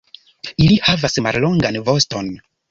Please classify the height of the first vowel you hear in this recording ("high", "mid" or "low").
high